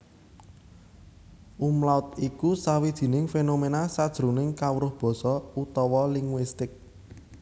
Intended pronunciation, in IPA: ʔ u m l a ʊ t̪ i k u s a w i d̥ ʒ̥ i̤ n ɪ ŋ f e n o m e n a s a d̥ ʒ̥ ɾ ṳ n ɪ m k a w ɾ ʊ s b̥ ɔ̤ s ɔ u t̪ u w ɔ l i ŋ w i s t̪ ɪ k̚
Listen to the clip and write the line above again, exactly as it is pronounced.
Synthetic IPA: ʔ u m l a ʊ t̪ i k u s a w i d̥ ʒ̥ i̤ n ɪ ŋ f e n o m e n a s a d̥ ʒ̥ ɾ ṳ n ɪ ŋ k a w ɾ ʊ h b̥ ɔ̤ s ɔ u t̪ ɔ w ɔ l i ŋ w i s t̪ ɪ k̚